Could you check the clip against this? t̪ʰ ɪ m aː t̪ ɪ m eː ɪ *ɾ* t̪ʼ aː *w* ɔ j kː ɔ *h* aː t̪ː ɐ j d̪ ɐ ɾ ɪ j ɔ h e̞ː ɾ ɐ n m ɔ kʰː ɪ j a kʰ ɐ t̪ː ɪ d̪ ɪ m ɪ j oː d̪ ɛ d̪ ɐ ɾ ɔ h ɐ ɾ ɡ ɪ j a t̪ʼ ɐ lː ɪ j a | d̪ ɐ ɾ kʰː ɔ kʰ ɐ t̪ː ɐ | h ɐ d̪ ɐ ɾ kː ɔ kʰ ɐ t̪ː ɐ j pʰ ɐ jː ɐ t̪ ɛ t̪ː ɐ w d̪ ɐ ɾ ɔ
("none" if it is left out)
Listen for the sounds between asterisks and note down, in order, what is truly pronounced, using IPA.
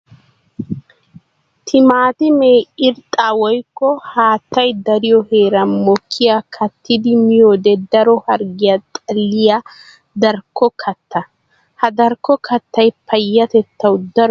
ɾ, w, h

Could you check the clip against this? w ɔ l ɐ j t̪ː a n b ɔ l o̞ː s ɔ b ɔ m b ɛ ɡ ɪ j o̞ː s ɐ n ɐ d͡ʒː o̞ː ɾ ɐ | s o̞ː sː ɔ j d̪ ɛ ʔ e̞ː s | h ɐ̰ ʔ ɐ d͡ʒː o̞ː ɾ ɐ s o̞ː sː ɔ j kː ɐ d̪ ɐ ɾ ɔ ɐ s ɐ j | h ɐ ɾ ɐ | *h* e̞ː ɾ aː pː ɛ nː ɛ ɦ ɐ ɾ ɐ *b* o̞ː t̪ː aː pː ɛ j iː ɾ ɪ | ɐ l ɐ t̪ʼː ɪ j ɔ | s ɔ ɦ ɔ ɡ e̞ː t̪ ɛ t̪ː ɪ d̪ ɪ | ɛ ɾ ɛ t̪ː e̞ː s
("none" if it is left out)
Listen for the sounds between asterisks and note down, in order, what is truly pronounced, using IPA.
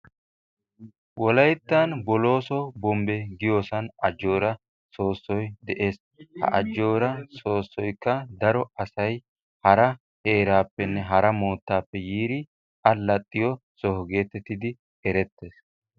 h, m

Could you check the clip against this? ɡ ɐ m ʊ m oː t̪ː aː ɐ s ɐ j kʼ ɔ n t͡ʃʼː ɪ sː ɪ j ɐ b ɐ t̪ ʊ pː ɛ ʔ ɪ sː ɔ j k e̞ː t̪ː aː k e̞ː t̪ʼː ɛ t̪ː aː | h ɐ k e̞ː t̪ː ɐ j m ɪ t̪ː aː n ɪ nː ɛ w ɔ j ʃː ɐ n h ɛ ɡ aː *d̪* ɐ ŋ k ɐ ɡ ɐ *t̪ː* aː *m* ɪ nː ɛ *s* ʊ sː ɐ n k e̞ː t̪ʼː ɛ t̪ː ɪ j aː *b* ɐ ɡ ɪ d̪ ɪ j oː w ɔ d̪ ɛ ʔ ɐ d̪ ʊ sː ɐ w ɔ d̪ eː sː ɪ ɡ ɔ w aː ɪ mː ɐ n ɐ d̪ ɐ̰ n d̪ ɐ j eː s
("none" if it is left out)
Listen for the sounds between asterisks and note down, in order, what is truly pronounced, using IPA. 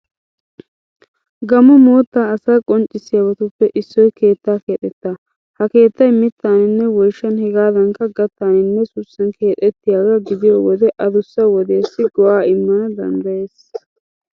d̪, t̪ː, n, s, ɡ

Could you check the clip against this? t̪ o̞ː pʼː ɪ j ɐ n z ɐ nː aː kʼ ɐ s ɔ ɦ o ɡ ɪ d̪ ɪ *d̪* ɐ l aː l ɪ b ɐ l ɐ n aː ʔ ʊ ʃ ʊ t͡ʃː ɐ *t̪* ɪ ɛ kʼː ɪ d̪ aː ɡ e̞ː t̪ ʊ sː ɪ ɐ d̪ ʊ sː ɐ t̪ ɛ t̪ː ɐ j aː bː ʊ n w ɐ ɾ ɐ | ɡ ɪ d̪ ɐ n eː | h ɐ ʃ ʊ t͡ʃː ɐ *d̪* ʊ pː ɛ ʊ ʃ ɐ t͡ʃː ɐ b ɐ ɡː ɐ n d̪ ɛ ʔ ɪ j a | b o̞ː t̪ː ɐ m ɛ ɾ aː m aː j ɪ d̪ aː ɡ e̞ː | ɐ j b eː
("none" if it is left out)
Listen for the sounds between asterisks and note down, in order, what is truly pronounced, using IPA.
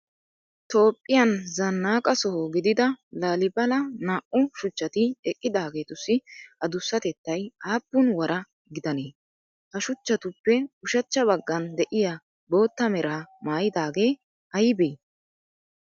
d̪, t̪, t̪

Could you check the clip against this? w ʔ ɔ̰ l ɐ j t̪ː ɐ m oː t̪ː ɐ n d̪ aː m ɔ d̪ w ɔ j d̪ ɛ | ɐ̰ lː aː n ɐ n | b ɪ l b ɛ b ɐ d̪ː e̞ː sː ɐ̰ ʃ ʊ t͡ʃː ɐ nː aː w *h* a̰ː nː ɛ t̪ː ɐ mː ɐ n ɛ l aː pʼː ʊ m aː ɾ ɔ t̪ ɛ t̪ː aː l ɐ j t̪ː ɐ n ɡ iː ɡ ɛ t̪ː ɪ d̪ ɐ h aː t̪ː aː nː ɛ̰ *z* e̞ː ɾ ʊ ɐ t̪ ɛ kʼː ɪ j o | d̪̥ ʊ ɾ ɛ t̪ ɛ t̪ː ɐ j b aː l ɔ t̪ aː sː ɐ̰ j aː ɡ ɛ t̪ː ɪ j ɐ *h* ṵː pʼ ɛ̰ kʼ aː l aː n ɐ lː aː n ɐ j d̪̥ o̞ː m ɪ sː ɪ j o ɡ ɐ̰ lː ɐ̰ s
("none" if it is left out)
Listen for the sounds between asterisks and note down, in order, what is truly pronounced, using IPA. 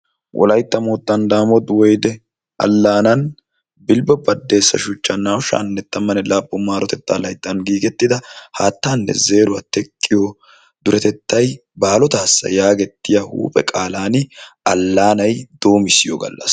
ʃ, z, h

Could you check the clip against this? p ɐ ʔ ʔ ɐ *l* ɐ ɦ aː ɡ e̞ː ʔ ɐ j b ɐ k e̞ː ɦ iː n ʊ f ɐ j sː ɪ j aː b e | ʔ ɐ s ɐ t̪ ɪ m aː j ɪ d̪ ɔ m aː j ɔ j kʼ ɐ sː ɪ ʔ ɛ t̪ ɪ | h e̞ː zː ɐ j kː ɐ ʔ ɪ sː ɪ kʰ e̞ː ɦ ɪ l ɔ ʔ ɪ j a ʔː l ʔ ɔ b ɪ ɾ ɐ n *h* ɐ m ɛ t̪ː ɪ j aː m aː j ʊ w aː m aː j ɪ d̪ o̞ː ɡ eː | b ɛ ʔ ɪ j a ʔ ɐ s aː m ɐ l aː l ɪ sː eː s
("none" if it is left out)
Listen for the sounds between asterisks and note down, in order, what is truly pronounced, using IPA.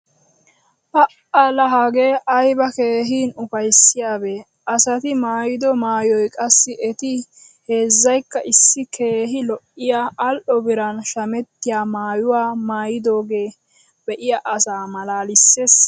l, ʃ

